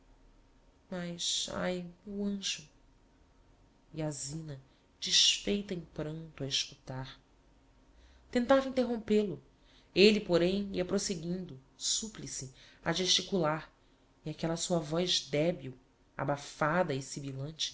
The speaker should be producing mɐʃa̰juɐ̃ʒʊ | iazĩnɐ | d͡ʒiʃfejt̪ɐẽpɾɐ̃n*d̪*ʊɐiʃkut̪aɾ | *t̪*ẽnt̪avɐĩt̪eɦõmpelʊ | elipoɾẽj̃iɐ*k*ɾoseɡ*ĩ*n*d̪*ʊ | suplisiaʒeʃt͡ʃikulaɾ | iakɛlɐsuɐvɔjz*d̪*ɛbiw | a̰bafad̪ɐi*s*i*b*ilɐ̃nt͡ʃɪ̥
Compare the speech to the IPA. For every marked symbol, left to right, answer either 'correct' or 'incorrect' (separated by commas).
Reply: incorrect, correct, incorrect, correct, correct, correct, correct, correct